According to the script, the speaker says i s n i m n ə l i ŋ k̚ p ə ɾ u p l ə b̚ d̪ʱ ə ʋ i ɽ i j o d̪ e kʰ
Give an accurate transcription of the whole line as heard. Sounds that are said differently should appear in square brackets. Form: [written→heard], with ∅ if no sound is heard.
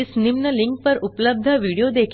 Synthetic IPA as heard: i s n i m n ə l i ŋ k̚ p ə ɾ u p l ə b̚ d̪ʱ ə ʋ i ɽ i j o d̪ e kʰ

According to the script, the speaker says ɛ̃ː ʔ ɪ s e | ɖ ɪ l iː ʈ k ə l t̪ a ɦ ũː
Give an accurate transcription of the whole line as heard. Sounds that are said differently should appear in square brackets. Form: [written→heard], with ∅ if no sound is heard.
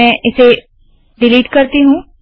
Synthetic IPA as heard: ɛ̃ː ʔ ɪ s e | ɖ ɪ l iː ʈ k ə [l→ɾ] t̪ [a→i] ɦ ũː

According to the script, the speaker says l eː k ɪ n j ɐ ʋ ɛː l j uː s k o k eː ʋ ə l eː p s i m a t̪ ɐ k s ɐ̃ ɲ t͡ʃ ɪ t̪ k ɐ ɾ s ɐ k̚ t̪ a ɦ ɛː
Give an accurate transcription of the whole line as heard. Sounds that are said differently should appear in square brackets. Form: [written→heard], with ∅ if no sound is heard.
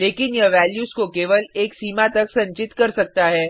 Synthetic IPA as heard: l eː k ɪ n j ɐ ʋ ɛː l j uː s k o k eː ʋ ə l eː [p→k] s [i→iː] m a t̪ ɐ k s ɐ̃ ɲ t͡ʃ ɪ t̪ k ɐ ɾ s ɐ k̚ t̪ a ɦ ɛː

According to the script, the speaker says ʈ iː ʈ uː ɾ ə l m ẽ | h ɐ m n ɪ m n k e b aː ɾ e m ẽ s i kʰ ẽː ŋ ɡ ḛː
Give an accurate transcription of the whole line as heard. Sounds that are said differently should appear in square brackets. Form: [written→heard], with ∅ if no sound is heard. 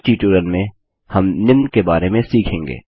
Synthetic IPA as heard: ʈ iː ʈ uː ɾ ə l m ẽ | h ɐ m n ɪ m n k e b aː ɾ e m ẽ s [i→iː] kʰ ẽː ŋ ɡ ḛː

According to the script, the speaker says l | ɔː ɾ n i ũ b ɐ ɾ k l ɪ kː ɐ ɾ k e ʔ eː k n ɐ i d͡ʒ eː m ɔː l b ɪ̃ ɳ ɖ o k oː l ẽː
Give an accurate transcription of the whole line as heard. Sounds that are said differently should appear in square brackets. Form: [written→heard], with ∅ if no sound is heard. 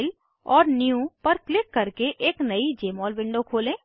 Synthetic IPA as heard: l | ɔː ɾ n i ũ [b→p] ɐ ɾ k l ɪ kː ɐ ɾ k e ʔ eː k n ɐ i d͡ʒ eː m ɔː l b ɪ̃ ɳ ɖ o [k→kʰ] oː l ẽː

